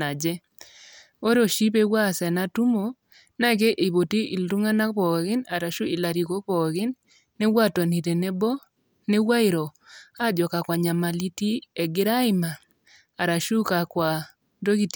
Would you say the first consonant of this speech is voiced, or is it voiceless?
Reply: voiced